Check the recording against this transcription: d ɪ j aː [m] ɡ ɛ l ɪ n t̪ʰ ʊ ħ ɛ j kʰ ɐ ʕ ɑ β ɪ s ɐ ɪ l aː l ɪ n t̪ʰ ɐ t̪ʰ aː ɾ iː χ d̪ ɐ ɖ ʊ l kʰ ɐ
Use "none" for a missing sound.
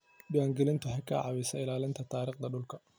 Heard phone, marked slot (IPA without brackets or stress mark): ŋ